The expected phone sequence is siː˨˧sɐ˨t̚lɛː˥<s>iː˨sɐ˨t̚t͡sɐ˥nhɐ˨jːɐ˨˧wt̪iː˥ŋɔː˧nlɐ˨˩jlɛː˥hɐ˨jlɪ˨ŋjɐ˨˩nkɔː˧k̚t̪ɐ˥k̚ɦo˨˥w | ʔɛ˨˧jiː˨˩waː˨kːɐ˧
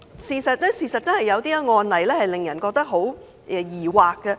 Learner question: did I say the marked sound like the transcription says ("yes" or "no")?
yes